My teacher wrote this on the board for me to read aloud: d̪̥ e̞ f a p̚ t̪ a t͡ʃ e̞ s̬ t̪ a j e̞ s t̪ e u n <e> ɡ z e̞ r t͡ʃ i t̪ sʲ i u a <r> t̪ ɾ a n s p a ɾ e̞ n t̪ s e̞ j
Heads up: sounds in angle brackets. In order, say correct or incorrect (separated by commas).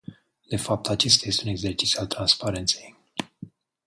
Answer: correct, incorrect